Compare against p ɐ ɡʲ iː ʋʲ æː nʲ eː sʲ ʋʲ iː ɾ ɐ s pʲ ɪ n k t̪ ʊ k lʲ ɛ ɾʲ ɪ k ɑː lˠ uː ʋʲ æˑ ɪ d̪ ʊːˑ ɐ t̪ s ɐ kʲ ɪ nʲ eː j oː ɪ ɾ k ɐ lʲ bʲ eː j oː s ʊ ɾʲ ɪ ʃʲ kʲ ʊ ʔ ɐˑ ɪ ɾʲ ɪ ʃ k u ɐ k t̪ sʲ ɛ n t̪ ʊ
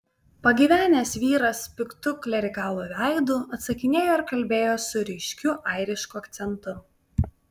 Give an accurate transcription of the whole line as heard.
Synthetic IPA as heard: p ɐ ɡʲ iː ʋʲ æː nʲ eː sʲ ʋʲ iː ɾ ɐ s pʲ ɪ k t̪ ʊ k lʲ ɛ ɾʲ ɪ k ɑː lˠ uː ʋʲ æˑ ɪ d̪ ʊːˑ ɐ t̪ s ɐ kʲ ɪ nʲ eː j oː ɪ ɾ k ɐ lʲ bʲ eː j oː s ʊ ɾʲ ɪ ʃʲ kʲ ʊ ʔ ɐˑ ɪ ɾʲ ɪ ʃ k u ɐ k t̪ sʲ ɛ n t̪ ʊ